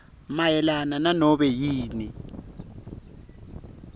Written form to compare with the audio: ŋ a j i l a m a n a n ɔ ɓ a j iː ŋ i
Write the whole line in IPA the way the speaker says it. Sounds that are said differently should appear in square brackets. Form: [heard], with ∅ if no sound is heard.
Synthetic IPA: [m] a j [ɛ] l a [n] a n a n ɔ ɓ [ɛ] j iː [n] i

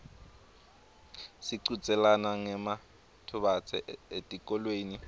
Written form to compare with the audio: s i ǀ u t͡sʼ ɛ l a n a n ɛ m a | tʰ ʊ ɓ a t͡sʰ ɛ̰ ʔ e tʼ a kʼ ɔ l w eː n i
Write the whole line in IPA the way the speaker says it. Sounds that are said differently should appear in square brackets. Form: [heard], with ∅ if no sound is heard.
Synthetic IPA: s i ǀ u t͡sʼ ɛ l a n a [ŋ] ɛ m a | tʰ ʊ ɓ a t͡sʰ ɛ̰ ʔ e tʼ [i] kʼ ɔ l w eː n i

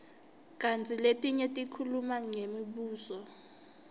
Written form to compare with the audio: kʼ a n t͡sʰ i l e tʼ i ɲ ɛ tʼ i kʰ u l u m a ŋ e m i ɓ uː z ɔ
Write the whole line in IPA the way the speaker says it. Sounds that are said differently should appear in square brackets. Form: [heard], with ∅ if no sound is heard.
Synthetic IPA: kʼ a n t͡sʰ i l e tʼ i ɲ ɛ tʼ i kʰ u l u m a ŋ e m i ɓ uː [s] ɔ

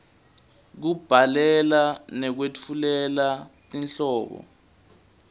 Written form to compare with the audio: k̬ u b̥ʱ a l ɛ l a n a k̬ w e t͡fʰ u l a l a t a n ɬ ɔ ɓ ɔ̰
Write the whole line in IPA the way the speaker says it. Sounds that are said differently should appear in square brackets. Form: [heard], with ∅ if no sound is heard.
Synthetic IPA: k̬ u b̥ʱ a l ɛ l a n [ɛ] k̬ w e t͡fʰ u l [ɛ] l a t [i] n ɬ [ɔː] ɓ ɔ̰

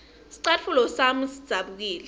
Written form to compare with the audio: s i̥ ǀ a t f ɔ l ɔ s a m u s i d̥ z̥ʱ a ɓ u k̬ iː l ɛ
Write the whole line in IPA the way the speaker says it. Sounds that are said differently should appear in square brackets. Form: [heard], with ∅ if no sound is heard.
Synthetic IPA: s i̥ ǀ a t f [u] l ɔ s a m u s i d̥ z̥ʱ a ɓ u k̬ iː l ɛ

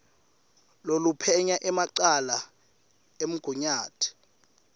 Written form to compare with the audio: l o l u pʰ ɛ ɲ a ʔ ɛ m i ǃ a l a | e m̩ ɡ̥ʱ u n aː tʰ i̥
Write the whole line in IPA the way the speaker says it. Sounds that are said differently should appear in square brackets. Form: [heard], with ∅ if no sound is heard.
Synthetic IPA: l o l u pʰ ɛ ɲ a ʔ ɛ m [a] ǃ a l a | e m̩ ɡ̥ʱ u [ɲ] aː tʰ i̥

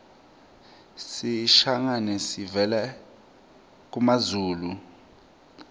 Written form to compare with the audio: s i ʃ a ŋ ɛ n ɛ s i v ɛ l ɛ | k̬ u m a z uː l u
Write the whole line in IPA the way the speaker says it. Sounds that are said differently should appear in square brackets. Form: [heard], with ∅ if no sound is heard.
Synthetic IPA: s i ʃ a ŋ [a] n ɛ s i v ɛ l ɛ | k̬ u m a z uː l u

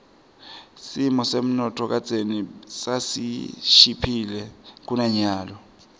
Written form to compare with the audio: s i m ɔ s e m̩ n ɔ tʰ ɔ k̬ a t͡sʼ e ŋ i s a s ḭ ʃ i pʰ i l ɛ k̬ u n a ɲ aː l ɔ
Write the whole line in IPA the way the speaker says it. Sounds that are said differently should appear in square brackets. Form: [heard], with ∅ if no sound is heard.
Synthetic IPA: s i m ɔ s e m̩ n ɔ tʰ ɔ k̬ a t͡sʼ e [n] i s a s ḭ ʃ i pʰ i l ɛ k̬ u n a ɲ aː l ɔ

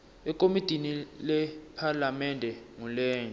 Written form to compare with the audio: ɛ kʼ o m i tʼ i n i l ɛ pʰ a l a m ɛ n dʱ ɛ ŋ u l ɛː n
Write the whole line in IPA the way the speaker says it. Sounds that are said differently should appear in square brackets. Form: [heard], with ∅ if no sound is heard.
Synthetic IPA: ɛ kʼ o m i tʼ i n i l ɛ pʰ a l a m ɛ n dʱ ɛ ŋ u l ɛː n

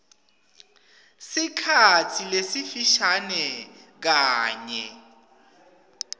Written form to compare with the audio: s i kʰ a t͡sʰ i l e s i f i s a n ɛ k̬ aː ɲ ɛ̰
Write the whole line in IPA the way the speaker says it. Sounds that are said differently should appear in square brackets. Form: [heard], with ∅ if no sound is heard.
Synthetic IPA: s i kʰ a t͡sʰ i l e s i f i [ʃ] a n ɛ k̬ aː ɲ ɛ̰

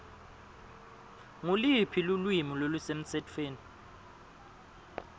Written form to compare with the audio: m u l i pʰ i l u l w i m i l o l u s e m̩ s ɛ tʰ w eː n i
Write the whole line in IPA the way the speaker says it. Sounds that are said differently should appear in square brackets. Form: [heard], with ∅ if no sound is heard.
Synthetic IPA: [ŋ] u l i pʰ i l u l w i m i l o l u s e m̩ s ɛ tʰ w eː n i

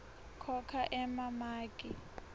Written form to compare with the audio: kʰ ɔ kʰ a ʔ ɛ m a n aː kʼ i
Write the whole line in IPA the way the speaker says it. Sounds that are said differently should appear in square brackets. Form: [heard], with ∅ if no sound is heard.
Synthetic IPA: kʰ ɔ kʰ a ʔ ɛ m a [m] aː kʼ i

